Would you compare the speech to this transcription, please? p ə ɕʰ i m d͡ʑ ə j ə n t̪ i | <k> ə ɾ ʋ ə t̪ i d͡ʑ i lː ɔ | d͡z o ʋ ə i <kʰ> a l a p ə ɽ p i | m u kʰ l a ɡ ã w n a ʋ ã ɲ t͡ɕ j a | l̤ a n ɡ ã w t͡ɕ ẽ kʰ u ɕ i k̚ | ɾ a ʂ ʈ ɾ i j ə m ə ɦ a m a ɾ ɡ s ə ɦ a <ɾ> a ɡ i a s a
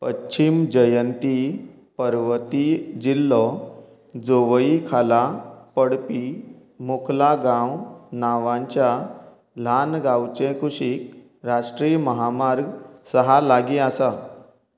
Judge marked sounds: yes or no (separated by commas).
no, yes, no